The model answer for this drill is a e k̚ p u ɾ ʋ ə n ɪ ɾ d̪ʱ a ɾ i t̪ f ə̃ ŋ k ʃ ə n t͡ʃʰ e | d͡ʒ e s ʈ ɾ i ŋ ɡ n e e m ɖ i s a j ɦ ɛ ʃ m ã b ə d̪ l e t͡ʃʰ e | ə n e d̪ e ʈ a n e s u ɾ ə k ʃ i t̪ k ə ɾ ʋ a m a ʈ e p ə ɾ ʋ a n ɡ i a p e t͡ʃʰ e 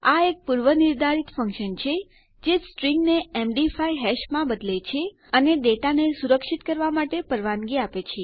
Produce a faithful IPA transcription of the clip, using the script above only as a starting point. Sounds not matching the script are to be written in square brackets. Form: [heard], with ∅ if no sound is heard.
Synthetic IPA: a e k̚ p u ɾ ʋ ə n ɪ ɾ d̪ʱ a ɾ i t̪ f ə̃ ŋ k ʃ ə n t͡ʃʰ e | d͡ʒ e s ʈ ɾ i ŋ ɡ n e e m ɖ i [f] a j ɦ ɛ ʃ m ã b ə d̪ l e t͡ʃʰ e | ə n e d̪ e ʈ a n e s u ɾ ə k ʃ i t̪ k ə ɾ ʋ a m a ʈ e p ə ɾ ʋ a n ɡ i a p e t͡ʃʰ e